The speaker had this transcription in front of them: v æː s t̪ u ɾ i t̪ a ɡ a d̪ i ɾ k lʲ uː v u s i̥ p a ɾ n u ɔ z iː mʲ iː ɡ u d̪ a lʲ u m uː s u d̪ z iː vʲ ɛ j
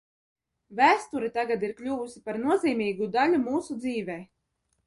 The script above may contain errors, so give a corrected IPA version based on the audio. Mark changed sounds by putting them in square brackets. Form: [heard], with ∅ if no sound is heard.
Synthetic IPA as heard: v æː s t̪ u ɾ i t̪ a ɡ a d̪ i ɾ k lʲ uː v u s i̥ p a ɾ n u ɔ z iː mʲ iː ɡ u d̪ a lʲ u m uː s u d̪ z iː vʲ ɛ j